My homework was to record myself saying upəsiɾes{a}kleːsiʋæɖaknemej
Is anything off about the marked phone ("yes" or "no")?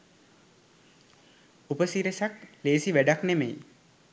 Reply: no